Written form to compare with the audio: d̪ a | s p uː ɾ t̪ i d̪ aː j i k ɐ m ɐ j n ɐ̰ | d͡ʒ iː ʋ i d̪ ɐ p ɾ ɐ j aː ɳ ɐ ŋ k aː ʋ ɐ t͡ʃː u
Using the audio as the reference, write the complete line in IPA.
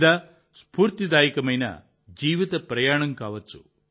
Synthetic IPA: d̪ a | s p uː ɾ t̪ i d̪ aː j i k ɐ m ɐ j n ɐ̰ | d͡ʒ iː ʋ i t̪ ɐ p ɾ ɐ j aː ɳ ɐ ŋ k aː ʋ ɐ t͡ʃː u

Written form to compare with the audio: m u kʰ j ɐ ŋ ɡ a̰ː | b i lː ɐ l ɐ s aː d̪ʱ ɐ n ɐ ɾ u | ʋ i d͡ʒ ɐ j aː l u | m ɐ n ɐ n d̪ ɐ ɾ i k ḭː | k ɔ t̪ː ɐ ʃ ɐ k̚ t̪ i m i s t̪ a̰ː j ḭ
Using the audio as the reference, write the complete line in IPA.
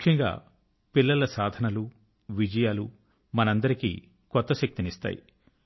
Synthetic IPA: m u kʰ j ɐ ŋ ɡ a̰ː | p i lː ɐ l ɐ s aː d̪ʱ ɐ n ɐ l u | ʋ i d͡ʒ ɐ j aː l u | m ɐ n ɐ n d̪ ɐ ɾ i k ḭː | k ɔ t̪ː ɐ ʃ ɐ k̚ t̪ i n i s t̪ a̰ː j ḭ

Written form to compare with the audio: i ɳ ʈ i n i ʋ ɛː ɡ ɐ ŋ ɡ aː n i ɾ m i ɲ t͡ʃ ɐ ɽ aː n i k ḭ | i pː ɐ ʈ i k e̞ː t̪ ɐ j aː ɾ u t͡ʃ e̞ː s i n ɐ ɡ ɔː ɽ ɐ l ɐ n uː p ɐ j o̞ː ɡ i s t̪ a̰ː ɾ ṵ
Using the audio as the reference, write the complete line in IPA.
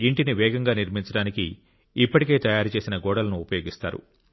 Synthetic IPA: i ɳ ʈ i n i ʋ ɛː ɡ ɐ ŋ ɡ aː n i ɾ m i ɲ t͡ʃ ɐ ɽ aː n i k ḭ | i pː ɐ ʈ i k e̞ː t̪ ɐ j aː ɾ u t͡ʃ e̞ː s i n ɐ ɡ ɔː ɽ ɐ l ɐ n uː p ɐ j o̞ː ɡ i s t̪ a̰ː ɾ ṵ

